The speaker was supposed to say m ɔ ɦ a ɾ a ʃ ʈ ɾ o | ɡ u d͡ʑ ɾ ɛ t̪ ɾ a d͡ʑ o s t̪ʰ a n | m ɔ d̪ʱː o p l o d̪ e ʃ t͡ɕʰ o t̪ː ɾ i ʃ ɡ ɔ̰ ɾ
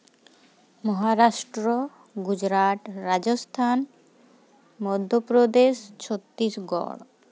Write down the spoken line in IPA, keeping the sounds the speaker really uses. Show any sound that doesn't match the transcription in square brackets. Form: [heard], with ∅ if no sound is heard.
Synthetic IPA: m ɔ ɦ a ɾ a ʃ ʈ ɾ o | ɡ u d͡ʑ ɾ [a] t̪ ɾ a d͡ʑ o s t̪ʰ a n | m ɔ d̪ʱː o p [ɾ] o d̪ e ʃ t͡ɕʰ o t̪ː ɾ i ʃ ɡ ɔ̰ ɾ